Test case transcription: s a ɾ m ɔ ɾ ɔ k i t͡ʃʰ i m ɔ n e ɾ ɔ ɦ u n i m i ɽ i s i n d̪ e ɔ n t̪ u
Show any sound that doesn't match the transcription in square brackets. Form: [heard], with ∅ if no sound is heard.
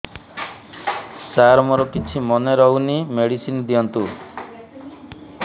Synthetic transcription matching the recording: s a ɾ m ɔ ɾ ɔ k i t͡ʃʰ i m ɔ n e ɾ ɔ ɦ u n i m [e] ɽ i s i n d̪ [i] ɔ n t̪ u